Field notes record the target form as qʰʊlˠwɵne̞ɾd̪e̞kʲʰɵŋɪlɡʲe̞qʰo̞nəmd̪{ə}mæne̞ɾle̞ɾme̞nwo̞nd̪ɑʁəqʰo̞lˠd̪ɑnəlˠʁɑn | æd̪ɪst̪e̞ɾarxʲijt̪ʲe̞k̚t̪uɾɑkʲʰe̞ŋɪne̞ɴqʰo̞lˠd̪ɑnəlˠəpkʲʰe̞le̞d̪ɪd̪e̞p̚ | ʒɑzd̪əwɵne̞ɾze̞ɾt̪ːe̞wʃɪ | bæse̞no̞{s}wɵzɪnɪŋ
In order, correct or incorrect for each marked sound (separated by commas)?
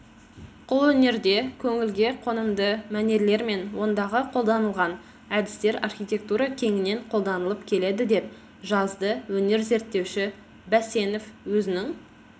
correct, incorrect